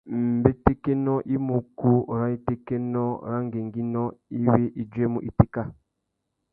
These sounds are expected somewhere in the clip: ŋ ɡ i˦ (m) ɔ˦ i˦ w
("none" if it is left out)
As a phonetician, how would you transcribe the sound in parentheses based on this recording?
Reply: n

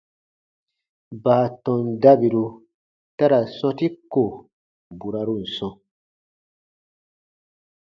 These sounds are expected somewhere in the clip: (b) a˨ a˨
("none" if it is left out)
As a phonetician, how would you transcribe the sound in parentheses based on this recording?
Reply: b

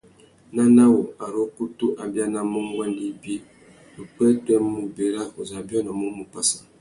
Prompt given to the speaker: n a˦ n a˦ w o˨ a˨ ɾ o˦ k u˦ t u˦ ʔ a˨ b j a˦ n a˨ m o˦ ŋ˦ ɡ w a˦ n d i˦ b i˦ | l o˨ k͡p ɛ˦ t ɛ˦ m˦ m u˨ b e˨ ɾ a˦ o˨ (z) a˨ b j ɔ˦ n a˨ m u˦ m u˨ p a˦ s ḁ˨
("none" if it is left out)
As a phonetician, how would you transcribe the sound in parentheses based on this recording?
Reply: z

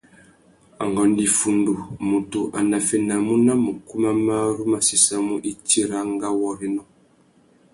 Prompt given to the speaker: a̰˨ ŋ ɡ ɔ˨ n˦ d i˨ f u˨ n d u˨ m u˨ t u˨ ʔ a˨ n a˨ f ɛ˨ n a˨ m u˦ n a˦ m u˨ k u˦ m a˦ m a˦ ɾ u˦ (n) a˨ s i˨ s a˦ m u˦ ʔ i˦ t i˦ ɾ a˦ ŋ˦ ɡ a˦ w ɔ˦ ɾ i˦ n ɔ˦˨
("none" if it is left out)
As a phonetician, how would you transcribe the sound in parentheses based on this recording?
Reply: m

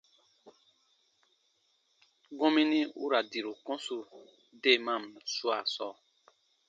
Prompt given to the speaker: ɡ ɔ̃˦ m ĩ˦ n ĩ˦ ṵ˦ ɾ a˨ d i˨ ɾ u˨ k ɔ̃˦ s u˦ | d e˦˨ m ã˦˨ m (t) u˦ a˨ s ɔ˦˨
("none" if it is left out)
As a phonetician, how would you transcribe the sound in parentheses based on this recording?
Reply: s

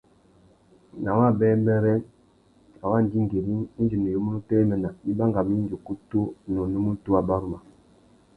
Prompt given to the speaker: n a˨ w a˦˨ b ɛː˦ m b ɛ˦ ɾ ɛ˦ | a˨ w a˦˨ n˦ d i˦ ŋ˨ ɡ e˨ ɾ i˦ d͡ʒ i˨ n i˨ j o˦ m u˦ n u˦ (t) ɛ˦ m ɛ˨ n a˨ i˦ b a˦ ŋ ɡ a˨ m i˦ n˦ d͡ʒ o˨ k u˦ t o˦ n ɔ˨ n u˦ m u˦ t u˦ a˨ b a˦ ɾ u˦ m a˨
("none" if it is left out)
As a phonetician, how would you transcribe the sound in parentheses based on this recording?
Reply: t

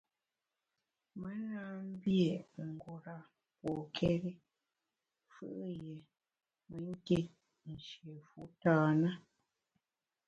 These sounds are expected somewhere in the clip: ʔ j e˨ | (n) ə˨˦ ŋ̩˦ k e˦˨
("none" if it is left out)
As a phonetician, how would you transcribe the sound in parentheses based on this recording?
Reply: m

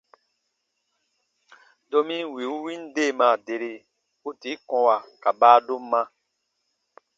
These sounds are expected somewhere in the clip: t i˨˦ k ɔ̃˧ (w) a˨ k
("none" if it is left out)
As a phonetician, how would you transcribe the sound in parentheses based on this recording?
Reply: w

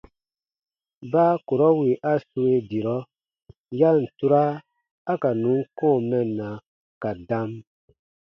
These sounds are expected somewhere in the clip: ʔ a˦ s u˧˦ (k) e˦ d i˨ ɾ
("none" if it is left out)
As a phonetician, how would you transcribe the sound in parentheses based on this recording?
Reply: none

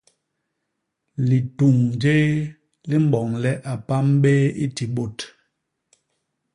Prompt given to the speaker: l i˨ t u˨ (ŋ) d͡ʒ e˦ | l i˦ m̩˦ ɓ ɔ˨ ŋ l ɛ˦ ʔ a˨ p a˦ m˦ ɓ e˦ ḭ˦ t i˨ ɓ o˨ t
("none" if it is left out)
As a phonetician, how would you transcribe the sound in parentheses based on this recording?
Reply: ŋ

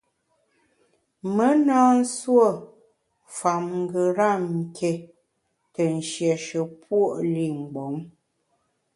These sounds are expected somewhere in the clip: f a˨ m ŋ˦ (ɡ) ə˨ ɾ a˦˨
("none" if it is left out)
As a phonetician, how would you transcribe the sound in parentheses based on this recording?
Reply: ɡ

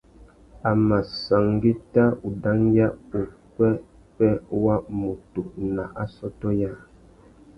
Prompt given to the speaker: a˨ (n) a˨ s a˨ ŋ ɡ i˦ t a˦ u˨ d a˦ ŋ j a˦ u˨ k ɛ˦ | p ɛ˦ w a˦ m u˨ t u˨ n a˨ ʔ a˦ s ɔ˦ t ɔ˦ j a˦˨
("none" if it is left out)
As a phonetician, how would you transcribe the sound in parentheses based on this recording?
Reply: m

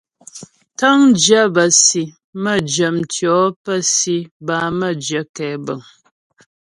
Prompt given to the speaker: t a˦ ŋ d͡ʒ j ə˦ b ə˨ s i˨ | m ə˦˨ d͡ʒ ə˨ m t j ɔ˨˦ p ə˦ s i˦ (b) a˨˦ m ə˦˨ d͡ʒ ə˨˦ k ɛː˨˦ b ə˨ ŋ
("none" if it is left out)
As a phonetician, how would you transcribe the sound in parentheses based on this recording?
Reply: b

